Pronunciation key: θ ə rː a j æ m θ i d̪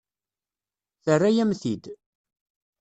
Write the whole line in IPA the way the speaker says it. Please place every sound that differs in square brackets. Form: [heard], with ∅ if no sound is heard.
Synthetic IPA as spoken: θ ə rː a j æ m θ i d̪